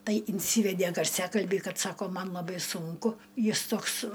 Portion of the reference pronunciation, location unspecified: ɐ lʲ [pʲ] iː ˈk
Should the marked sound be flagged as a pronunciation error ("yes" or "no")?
yes